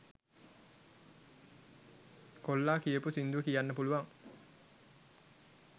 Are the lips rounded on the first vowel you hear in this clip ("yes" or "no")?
yes